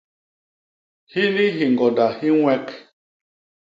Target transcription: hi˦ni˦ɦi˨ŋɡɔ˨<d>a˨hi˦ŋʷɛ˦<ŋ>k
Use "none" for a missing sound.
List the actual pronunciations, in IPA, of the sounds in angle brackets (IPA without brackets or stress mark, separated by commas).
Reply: d, none